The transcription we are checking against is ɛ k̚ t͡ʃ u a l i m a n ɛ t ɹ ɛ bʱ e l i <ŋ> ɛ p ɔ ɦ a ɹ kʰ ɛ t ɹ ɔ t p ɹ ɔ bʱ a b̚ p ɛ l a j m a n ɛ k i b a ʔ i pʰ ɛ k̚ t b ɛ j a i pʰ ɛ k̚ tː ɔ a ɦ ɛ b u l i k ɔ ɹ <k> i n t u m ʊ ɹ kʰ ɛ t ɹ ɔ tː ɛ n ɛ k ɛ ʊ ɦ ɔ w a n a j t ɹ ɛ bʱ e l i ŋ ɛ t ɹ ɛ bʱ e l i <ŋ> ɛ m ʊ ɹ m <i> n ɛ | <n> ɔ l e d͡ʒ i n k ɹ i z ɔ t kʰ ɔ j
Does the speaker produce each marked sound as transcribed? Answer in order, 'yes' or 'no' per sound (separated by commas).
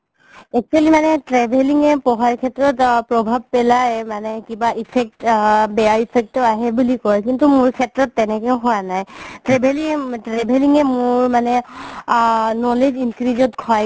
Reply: yes, yes, yes, no, yes